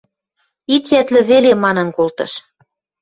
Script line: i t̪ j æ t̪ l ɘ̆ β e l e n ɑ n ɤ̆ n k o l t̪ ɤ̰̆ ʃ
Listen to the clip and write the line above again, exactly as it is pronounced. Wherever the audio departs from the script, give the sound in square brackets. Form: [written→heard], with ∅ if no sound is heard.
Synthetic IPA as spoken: i t̪ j æ t̪ l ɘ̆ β e l e [n→m] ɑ n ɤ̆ n k o l t̪ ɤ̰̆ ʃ